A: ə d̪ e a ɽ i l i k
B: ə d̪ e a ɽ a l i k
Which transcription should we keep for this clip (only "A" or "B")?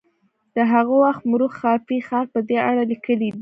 B